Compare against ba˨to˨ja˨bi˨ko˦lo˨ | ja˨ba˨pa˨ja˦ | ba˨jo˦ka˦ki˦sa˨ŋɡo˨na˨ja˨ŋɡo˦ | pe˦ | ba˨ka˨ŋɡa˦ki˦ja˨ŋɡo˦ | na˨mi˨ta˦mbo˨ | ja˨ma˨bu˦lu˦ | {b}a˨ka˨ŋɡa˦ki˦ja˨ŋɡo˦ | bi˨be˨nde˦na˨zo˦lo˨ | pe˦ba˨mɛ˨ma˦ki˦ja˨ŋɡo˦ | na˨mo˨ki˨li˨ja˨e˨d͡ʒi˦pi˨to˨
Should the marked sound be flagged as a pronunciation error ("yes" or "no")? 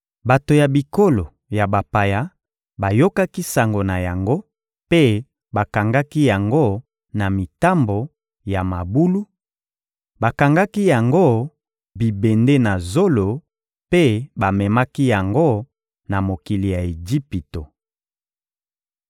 no